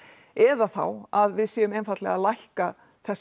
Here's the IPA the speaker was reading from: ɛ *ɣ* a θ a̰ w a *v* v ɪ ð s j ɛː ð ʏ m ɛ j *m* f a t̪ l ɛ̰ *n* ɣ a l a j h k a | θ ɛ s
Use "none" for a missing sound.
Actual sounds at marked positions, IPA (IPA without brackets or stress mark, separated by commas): ð, ð, n, none